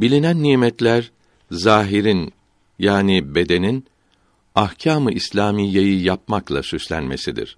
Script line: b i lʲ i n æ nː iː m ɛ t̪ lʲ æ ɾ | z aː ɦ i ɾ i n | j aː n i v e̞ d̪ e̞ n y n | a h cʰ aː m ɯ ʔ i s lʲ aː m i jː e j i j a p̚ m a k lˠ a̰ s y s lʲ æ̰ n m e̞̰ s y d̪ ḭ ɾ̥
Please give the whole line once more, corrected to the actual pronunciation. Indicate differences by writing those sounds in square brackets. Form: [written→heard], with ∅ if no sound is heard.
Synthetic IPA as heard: b i lʲ i n æ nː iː m ɛ t̪ lʲ æ ɾ | z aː ɦ i ɾ i n | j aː n i [v→b] e̞ d̪ e̞ n [y→i] n | a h cʰ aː m ɯ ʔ i s lʲ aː m i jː e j i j a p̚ m a k lˠ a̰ s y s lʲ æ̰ n m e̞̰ s [y→i] d̪ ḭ ɾ̥